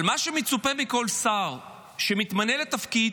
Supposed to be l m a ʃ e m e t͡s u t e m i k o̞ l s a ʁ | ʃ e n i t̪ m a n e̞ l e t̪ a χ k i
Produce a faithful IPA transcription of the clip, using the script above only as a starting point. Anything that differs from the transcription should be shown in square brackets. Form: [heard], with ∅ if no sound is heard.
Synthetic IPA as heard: l m a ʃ e m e t͡s u [p] e m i k o̞ l s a ʁ | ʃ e [m] i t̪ m a n e̞ l e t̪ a [f] k i